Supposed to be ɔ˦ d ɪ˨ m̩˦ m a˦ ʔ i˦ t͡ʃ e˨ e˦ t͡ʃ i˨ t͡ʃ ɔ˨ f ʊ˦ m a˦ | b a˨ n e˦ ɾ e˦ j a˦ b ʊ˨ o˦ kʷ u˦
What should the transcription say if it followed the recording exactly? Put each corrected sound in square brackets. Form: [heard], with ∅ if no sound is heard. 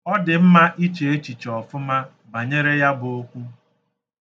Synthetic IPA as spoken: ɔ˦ d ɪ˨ m̩˦ m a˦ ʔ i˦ t͡ʃ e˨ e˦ t͡ʃ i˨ t͡ʃ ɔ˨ f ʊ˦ m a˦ | b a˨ [ɲ] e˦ ɾ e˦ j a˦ b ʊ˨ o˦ kʷ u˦